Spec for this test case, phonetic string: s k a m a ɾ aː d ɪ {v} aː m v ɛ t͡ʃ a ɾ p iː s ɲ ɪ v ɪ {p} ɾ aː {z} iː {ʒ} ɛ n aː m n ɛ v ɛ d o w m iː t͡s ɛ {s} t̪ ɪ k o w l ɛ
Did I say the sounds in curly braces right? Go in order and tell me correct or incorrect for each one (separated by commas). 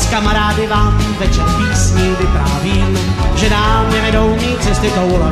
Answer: correct, correct, incorrect, correct, correct